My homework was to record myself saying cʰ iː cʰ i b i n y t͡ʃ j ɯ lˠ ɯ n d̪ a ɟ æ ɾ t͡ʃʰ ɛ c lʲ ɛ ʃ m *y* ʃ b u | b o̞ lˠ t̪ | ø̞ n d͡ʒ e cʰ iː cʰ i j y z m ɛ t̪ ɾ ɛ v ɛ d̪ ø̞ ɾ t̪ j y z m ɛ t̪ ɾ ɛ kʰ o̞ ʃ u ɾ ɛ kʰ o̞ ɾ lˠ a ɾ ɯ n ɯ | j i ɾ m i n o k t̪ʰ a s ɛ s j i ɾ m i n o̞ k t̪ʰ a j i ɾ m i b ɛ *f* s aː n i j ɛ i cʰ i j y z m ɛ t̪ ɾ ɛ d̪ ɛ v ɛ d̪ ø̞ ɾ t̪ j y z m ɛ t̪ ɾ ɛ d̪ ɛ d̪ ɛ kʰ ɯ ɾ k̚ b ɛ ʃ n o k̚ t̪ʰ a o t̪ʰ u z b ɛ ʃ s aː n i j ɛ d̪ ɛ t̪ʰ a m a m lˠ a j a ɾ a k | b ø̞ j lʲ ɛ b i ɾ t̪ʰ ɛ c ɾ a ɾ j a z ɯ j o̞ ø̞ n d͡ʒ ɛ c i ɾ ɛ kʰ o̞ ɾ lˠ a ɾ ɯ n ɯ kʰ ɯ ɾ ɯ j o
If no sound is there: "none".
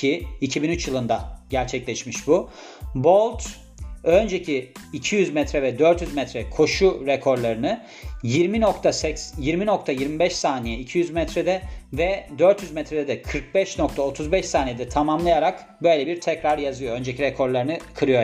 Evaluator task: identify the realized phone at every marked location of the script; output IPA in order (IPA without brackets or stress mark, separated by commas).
i, ʃ